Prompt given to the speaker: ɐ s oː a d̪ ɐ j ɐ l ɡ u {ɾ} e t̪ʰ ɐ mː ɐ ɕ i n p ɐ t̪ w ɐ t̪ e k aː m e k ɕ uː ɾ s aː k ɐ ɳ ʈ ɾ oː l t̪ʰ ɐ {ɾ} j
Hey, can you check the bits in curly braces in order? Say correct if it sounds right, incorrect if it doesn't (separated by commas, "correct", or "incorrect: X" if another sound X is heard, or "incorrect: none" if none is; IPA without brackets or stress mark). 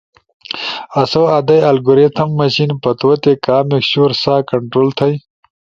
correct, incorrect: none